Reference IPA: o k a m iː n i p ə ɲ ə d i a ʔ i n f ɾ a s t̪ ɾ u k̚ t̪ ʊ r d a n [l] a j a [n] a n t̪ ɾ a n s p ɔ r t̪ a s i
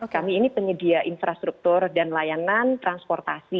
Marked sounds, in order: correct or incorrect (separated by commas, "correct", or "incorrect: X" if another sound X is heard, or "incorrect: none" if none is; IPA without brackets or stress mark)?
correct, correct